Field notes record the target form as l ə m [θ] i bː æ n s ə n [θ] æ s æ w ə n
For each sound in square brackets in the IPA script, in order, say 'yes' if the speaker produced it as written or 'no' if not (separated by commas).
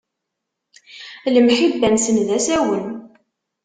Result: no, no